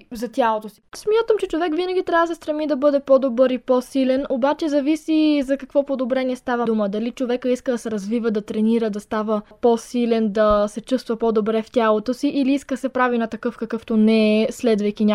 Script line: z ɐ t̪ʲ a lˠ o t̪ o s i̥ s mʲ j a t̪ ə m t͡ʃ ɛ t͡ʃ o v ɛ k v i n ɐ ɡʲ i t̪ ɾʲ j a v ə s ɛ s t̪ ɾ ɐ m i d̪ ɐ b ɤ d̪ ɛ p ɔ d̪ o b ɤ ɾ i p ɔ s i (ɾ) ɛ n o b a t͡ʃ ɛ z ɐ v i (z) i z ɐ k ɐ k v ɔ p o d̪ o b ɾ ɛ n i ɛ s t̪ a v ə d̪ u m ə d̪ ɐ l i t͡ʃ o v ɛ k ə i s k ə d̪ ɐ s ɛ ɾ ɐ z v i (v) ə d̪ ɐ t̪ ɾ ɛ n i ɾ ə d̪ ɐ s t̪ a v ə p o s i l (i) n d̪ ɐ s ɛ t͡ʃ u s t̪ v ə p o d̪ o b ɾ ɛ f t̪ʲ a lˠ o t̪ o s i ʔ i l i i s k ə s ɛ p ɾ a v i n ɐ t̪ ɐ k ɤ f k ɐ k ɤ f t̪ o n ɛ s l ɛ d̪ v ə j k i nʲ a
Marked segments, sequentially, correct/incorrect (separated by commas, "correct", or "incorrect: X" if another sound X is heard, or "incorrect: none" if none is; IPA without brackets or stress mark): incorrect: l, incorrect: s, correct, incorrect: ɛ